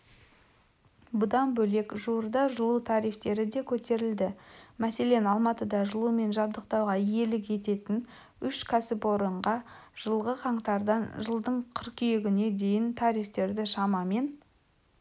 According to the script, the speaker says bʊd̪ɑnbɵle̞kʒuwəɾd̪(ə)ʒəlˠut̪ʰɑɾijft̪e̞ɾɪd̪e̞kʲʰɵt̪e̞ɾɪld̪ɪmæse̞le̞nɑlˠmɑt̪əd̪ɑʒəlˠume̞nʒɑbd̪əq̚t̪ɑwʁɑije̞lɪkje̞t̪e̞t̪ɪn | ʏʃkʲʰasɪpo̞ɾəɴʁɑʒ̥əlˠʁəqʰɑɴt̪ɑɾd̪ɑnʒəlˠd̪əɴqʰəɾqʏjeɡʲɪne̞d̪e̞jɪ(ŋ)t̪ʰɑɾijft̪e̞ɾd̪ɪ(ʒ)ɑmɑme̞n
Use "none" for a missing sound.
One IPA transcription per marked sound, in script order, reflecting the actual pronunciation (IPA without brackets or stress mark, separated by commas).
ɑ, n, ʃ